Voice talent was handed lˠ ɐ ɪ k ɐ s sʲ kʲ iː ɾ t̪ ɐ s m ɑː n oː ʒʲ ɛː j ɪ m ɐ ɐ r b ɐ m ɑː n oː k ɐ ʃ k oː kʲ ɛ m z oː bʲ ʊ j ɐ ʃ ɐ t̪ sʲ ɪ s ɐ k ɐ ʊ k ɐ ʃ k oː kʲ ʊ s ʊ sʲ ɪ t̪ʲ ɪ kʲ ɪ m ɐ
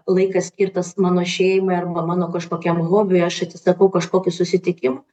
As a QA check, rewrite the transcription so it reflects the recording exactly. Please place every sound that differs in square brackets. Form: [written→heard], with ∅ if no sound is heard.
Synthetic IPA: lˠ ɐ ɪ k ɐ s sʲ kʲ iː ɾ t̪ ɐ s m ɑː n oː [ʒʲ→ʃʲ] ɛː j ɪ m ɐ ɐ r b ɐ m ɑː n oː k ɐ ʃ k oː kʲ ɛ m [z→ɣ] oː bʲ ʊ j ɐ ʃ ɐ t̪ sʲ ɪ s ɐ k ɐ ʊ k ɐ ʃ k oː kʲ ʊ s ʊ sʲ ɪ t̪ʲ ɪ kʲ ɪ m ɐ